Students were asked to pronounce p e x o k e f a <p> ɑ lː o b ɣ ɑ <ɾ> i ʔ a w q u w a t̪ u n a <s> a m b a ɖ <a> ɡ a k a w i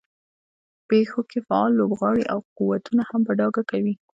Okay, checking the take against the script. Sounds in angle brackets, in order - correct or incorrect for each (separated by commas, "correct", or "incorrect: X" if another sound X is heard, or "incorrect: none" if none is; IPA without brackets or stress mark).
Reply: incorrect: none, incorrect: ɽ, incorrect: h, incorrect: ɑ